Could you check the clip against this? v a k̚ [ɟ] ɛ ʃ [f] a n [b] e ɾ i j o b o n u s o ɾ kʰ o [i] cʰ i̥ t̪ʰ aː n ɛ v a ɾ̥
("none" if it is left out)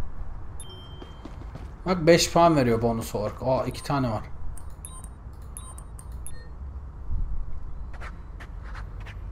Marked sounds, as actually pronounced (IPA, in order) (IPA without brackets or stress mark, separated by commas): b, f, v, i